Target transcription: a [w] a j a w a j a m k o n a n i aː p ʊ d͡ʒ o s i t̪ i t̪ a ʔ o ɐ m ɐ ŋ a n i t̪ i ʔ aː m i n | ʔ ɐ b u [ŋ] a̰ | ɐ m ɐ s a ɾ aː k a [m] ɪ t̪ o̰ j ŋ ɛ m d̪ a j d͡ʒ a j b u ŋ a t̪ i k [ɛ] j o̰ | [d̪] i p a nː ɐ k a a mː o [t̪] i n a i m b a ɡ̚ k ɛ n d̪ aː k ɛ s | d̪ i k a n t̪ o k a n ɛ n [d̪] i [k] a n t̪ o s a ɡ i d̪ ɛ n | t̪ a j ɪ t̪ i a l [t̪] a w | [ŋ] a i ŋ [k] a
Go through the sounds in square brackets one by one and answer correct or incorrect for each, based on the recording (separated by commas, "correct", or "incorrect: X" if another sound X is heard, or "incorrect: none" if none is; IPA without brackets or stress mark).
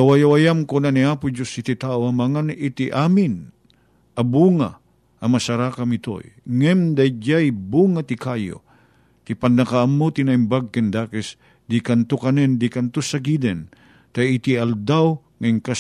correct, correct, correct, incorrect: a, incorrect: t̪, correct, correct, correct, incorrect: d̪, correct, correct